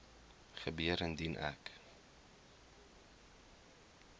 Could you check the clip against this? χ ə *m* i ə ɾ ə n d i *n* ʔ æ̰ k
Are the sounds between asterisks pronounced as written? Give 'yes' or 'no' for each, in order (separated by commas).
no, yes